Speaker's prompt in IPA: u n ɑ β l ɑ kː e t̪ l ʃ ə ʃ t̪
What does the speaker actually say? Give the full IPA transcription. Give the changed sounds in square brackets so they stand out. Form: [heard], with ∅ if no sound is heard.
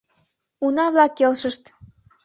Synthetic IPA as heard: u n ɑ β l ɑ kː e [∅] l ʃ ə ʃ t̪